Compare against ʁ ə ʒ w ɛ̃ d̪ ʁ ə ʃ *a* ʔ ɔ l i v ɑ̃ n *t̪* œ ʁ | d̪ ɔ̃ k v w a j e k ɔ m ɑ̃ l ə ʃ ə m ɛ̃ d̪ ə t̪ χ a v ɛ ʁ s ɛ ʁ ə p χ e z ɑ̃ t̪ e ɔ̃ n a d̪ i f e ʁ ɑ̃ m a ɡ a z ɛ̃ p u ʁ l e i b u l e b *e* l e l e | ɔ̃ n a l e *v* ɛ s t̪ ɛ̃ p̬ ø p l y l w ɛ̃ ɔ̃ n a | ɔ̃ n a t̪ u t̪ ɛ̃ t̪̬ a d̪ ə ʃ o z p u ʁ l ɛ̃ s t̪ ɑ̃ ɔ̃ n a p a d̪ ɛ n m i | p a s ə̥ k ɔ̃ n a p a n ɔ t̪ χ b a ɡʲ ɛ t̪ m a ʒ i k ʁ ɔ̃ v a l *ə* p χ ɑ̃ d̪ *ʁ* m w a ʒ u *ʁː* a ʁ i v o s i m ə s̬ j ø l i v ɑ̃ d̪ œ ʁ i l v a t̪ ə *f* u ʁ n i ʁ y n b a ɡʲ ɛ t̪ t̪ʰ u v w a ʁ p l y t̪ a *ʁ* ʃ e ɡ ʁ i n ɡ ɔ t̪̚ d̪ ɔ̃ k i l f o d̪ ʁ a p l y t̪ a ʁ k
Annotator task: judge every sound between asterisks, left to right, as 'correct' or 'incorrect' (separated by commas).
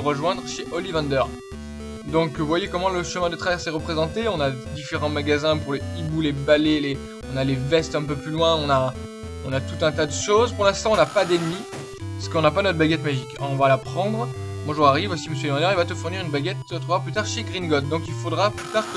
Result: incorrect, incorrect, incorrect, correct, incorrect, correct, incorrect, correct, correct